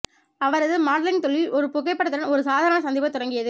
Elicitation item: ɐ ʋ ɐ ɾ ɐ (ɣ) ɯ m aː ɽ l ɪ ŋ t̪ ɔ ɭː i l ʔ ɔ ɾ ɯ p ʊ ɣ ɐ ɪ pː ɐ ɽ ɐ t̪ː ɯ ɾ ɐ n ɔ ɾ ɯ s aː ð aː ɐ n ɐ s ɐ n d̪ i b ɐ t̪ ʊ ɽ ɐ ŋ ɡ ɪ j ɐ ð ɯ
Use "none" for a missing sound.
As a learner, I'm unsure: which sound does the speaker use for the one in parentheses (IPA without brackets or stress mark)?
ð